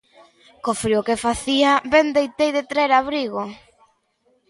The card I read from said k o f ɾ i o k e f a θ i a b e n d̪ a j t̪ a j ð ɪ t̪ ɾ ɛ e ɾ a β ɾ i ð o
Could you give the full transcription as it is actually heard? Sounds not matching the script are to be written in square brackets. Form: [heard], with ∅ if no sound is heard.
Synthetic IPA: k o f ɾ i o k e f a θ i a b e n d̪ [e] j t̪ [e] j ð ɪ t̪ ɾ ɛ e ɾ a β ɾ i [ɣ] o